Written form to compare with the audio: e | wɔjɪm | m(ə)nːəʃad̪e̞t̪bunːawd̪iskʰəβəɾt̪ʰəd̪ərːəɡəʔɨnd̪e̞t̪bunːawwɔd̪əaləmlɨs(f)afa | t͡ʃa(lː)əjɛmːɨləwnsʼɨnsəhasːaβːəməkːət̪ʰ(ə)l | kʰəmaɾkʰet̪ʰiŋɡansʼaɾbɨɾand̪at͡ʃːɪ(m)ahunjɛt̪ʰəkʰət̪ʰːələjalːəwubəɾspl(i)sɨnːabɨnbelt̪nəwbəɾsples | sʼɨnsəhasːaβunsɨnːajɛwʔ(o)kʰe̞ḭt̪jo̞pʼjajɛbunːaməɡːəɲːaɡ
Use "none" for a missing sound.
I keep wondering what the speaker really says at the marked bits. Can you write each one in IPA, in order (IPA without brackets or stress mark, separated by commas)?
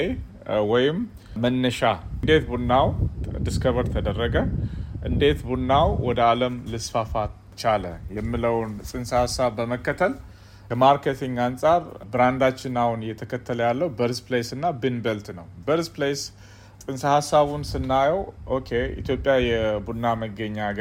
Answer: ə, f, l, ə, n, e, o